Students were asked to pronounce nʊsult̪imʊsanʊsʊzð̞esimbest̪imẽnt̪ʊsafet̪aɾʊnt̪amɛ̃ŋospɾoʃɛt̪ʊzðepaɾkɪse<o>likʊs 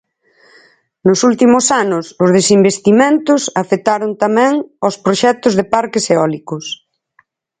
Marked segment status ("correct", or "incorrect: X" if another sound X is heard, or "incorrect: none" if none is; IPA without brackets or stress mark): incorrect: ɔ